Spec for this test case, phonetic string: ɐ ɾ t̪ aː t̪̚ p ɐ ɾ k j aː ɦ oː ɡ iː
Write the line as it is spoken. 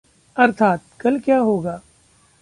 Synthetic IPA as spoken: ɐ ɾ t̪ʰ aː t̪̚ k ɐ l k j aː ɦ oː ɡ aː

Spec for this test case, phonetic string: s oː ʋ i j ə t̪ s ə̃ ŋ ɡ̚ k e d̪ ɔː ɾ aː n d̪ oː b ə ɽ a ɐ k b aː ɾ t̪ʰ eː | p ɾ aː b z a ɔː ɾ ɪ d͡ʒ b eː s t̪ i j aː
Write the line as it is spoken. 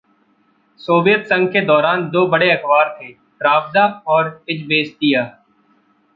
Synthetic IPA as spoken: s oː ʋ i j ə t̪ s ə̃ ŋ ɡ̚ k e d̪ ɔː ɾ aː n d̪ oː b ə ɽ e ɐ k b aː ɾ t̪ʰ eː | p ɾ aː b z a ɔː ɾ ɪ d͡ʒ b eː s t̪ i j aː

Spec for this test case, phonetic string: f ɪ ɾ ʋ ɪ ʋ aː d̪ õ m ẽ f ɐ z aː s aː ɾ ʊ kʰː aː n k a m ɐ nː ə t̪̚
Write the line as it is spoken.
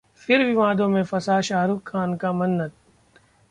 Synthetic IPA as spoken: f ɪ ɾ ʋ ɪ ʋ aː d̪ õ m ẽ f ɐ s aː ʃ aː ɾ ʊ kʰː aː n k a m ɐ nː ə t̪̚

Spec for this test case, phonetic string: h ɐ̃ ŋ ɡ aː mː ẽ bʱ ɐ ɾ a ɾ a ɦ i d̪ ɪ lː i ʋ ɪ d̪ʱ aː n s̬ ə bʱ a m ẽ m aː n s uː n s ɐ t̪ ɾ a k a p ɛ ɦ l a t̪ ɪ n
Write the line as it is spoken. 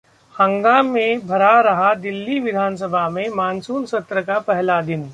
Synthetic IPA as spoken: h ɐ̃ ŋ ɡ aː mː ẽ bʱ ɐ ɾ a ɾ ɐ ɦ a d̪ ɪ lː i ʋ ɪ d̪ʱ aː n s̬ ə bʱ a m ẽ m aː n s uː n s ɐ t̪ ɾ ə k a p ɛ ɦ l a d̪ ɪ n

